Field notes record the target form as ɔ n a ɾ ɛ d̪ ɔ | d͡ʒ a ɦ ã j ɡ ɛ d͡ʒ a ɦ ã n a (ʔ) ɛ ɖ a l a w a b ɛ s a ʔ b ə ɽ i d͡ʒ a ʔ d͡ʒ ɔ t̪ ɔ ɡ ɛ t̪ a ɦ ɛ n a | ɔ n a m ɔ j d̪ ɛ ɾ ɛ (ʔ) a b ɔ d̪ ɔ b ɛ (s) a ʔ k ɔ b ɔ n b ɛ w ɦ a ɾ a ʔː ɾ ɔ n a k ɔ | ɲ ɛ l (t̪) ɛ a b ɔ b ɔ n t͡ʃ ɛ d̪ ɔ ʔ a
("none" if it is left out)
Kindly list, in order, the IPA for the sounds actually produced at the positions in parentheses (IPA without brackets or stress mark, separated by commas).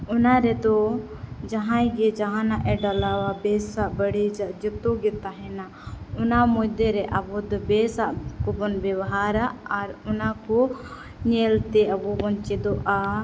ʔ, ʔ, s, t̪